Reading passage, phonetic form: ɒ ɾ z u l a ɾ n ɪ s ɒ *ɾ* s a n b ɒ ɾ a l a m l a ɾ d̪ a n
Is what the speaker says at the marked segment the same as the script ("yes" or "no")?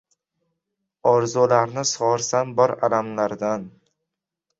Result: yes